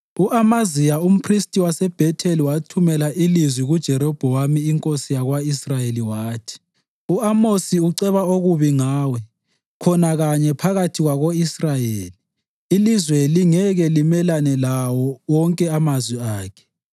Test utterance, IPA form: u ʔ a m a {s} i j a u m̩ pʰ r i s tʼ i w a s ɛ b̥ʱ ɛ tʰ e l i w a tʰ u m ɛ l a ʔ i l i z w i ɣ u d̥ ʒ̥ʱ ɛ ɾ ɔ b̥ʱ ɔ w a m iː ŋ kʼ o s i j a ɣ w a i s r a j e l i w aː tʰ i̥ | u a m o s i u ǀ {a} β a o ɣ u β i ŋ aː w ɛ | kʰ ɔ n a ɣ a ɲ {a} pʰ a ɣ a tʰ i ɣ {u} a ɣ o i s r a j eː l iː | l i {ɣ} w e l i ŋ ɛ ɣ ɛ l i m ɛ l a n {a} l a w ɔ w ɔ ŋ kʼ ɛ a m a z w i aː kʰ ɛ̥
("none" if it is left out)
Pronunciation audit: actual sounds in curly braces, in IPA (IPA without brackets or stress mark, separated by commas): z, ɛ, ɛ, w, z, ɛ